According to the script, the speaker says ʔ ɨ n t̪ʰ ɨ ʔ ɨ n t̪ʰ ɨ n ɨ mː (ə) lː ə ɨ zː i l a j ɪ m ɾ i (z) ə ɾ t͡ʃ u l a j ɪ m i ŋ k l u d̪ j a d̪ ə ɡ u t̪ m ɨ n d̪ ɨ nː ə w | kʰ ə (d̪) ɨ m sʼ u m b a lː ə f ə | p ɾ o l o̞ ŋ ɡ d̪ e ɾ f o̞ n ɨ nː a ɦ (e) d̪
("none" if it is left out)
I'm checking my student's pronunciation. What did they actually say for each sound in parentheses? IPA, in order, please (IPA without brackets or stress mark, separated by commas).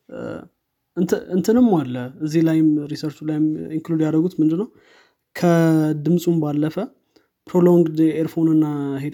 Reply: a, s, d̪, e